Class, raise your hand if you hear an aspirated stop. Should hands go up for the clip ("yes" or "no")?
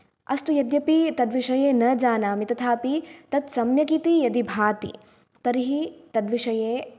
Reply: yes